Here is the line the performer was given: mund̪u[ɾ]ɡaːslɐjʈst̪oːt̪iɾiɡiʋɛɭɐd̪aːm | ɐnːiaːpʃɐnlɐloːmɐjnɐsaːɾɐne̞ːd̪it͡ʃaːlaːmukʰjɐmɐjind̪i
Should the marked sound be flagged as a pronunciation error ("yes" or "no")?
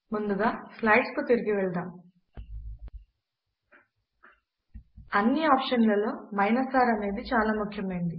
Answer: yes